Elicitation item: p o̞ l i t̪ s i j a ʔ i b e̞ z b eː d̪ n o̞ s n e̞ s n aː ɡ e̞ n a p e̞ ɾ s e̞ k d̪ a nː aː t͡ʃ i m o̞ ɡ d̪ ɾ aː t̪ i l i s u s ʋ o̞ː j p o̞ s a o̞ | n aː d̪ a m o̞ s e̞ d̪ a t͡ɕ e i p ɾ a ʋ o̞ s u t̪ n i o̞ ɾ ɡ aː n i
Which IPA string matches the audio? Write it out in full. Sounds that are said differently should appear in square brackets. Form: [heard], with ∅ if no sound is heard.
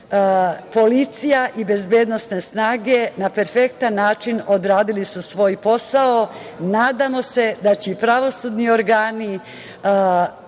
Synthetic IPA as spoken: p o̞ l i t̪ s i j a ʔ i b e̞ z b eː d̪ n o̞ s n e̞ s n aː ɡ e̞ n a p e̞ ɾ [f] e̞ k [t̪] a nː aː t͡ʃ i [n] o̞ [∅] d̪ ɾ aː [d̪] i l i s u s ʋ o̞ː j p o̞ s a o̞ | n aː d̪ a m o̞ s e̞ d̪ a t͡ɕ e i p ɾ a ʋ o̞ s u [d̪] n i o̞ ɾ ɡ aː n i

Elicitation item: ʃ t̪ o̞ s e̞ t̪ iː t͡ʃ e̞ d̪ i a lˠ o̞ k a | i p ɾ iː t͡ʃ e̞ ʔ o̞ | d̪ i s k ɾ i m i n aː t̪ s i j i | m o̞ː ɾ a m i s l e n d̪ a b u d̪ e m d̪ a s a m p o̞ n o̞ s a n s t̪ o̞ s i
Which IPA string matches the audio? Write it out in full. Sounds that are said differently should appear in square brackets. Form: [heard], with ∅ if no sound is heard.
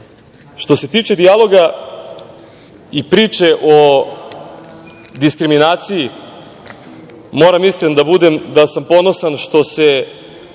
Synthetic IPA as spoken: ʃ t̪ o̞ s e̞ t̪ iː t͡ʃ e̞ d̪ i a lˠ o̞ [ɡ] a | i p ɾ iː t͡ʃ e̞ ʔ o̞ | d̪ i s k ɾ i m i n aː t̪ s i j i | m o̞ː ɾ a m i s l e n d̪ a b u d̪ e m d̪ a s a m p o̞ n o̞ s a n [ʃ] t̪ o̞ s [e]

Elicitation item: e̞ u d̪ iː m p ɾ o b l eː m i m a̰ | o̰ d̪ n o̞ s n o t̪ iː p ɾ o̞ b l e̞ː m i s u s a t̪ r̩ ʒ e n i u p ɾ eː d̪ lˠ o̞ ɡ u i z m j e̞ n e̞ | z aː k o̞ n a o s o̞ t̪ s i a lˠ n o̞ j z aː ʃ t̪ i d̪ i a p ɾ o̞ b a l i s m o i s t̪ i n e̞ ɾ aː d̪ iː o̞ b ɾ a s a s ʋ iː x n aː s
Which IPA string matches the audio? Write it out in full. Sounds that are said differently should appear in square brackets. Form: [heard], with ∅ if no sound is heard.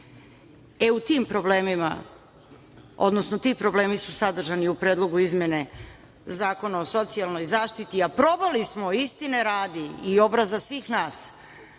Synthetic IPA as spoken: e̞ u [t̪] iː m p ɾ o b l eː m i m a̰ | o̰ d̪ n o̞ s n o t̪ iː p ɾ o̞ b l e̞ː m i s u s a [d̪] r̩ ʒ [a] n i u p ɾ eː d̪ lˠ o̞ ɡ u i z m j e̞ n e̞ | z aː k o̞ n a o s o̞ t̪ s i a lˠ n o̞ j z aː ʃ t̪ i [t̪] i a p ɾ o̞ b a l i s m o i s t̪ i n e̞ ɾ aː d̪ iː o̞ b ɾ a [z] a s ʋ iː x n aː s

